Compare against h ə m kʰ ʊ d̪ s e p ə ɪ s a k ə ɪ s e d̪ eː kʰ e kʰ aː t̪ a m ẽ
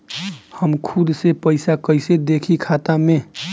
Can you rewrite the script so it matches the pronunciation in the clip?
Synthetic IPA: h ə m kʰ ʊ d̪ s e p ə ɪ s a k ə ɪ s e d̪ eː kʰ i kʰ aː t̪ a m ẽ